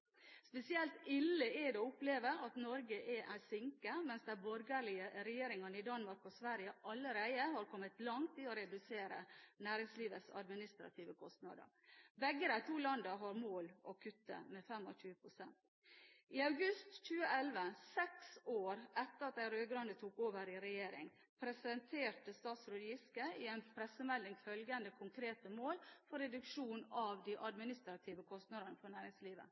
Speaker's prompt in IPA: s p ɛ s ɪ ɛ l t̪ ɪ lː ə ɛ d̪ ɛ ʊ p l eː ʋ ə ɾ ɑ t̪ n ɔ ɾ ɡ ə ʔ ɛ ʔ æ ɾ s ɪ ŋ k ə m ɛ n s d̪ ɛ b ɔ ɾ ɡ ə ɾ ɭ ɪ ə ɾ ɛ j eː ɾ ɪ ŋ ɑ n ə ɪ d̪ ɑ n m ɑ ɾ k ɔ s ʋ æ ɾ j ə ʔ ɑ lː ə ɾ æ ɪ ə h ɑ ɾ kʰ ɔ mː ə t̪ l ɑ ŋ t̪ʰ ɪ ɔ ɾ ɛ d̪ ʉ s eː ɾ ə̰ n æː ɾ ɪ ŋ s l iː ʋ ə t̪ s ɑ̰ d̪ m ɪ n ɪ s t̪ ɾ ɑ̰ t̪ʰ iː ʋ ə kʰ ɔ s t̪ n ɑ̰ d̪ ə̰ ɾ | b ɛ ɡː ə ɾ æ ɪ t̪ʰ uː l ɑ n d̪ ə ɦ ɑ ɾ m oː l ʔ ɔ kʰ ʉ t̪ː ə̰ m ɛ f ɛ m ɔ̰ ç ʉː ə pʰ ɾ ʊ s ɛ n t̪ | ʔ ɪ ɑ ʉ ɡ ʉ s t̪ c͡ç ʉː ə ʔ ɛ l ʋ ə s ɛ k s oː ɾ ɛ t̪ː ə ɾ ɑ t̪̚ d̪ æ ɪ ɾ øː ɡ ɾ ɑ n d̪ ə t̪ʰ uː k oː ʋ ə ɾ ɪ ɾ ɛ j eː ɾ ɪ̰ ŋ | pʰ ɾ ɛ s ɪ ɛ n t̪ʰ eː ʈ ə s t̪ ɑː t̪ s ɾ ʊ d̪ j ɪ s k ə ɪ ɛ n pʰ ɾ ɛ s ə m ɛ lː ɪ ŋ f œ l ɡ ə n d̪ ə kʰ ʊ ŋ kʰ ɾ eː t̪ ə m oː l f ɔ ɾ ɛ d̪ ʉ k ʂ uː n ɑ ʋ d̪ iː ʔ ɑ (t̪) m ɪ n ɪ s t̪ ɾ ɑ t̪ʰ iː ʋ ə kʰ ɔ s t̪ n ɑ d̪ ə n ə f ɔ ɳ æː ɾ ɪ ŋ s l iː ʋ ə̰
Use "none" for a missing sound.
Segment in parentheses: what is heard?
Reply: d̪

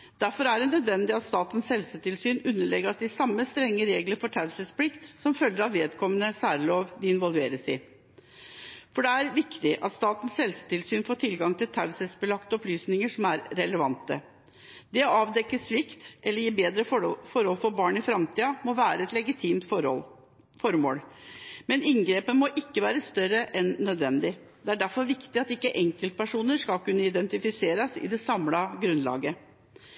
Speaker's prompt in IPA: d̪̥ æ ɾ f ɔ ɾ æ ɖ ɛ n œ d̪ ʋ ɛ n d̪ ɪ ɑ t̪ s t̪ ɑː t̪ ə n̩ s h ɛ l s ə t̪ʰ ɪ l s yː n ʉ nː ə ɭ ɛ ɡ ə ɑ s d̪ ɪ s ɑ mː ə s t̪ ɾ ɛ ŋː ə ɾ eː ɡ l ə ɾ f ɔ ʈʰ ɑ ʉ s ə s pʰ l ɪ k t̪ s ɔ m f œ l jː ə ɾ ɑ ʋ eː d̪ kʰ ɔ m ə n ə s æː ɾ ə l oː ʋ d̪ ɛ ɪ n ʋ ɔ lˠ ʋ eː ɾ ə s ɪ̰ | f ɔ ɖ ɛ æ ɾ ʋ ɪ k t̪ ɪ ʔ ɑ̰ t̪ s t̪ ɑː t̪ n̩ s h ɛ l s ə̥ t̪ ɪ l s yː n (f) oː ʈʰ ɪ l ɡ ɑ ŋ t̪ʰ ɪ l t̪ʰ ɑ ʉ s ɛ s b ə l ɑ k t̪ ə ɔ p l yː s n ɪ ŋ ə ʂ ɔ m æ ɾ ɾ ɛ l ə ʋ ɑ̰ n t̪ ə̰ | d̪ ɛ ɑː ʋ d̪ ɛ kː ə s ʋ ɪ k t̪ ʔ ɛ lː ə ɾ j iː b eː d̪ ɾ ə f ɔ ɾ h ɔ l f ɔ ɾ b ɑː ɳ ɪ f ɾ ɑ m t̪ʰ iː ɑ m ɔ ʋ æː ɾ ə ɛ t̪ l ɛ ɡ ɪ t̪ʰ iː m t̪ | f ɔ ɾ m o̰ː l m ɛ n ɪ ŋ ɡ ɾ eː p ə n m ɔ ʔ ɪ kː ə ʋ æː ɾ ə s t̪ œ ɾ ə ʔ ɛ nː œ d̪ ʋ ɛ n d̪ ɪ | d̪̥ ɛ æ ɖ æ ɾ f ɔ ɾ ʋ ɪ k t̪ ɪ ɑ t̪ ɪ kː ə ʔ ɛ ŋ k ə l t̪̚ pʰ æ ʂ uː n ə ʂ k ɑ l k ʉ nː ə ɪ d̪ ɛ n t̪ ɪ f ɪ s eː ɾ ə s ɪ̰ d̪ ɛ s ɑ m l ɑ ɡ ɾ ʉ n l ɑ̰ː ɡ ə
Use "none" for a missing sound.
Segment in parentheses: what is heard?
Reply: f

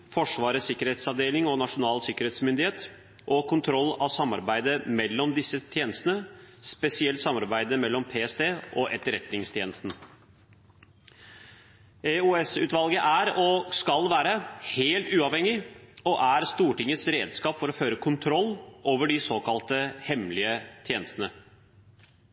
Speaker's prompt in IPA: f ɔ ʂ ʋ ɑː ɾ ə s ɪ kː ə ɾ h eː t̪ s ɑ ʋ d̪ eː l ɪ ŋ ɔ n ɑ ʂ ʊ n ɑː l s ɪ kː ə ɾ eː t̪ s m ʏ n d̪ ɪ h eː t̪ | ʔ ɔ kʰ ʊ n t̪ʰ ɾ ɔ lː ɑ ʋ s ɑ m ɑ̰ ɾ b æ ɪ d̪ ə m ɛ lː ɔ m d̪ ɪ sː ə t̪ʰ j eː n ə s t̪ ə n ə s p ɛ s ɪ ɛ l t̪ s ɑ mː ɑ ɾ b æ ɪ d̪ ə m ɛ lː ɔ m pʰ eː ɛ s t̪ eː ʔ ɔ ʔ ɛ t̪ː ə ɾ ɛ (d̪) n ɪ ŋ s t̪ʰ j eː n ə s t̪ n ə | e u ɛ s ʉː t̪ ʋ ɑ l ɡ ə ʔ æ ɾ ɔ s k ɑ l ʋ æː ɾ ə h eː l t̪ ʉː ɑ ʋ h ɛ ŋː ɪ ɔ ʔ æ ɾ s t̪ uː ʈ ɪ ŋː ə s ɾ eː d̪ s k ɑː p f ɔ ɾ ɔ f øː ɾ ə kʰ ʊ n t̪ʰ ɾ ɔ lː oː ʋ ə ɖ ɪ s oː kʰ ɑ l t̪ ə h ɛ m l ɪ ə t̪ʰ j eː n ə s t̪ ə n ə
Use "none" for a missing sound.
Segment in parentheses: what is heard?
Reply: t̪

